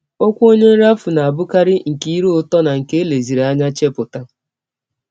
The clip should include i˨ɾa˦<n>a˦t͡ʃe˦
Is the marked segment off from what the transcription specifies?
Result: yes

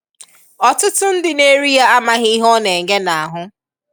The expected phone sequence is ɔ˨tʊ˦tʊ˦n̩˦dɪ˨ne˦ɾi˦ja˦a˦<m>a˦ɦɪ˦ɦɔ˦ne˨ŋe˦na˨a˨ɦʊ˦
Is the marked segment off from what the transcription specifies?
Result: no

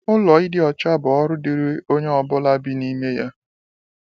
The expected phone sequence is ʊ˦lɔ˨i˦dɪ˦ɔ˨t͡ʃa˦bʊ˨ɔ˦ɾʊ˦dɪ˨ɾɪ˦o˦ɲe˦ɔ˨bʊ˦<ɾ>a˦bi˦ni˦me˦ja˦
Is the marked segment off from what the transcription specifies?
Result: yes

